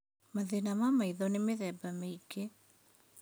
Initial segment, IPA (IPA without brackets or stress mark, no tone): m